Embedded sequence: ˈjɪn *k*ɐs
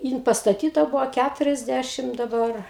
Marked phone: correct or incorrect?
incorrect: p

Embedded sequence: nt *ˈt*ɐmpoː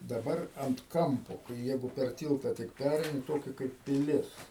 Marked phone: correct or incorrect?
incorrect: k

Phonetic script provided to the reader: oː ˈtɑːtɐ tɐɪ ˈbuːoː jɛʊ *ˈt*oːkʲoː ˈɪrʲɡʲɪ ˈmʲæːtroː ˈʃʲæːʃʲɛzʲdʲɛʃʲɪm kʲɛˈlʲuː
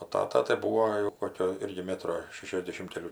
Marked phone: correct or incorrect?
incorrect: k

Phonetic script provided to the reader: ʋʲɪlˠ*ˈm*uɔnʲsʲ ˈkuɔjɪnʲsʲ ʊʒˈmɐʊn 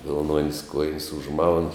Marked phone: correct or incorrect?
incorrect: n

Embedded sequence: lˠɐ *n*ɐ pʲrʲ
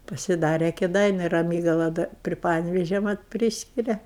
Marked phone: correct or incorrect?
incorrect: d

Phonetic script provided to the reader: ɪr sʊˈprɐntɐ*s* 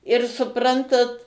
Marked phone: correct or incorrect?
incorrect: t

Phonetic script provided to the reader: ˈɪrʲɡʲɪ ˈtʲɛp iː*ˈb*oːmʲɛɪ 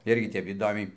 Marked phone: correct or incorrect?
incorrect: d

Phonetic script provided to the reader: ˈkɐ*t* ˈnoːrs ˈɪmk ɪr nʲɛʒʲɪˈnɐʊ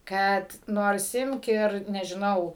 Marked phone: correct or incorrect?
correct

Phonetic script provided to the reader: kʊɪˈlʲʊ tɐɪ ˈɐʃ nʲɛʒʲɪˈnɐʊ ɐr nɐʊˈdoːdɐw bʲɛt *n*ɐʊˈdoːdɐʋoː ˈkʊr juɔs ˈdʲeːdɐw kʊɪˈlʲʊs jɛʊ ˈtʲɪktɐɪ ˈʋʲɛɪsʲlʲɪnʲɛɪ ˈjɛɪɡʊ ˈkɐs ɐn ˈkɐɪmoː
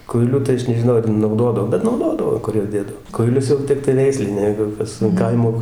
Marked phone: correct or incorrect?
correct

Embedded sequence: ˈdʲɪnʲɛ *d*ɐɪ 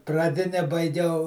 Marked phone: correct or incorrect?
incorrect: b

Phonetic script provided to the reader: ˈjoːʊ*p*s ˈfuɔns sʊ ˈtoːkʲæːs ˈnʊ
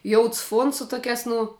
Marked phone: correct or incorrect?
incorrect: t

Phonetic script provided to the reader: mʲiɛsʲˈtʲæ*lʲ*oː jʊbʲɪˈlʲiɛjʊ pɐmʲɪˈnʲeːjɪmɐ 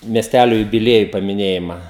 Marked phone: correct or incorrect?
correct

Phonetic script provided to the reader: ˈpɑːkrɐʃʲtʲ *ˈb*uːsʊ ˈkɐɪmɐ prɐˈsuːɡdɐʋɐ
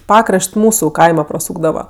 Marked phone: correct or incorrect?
incorrect: m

